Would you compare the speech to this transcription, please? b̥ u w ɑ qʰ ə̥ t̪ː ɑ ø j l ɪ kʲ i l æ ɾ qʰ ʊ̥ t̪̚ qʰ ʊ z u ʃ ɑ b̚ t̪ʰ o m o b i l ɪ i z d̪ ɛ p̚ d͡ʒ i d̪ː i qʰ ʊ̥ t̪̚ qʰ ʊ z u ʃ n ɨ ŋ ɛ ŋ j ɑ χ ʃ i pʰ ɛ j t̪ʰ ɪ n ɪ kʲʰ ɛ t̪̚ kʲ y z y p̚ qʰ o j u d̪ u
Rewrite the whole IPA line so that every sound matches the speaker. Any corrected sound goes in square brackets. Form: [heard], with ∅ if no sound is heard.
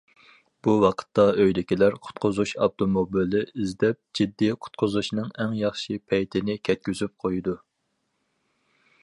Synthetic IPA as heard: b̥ u w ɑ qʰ ə̥ t̪ː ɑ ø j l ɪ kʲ i l æ ɾ qʰ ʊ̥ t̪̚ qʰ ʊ z u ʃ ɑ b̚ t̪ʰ o m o b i l ɪ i z d̪ ɛ p̚ d͡ʒ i d̪ː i qʰ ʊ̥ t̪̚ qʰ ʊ z u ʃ n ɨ ŋ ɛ ŋ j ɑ χ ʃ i pʰ ɛ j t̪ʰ ɪ n ɪ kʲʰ ɛ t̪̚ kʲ y z y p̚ qʰ o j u d̪ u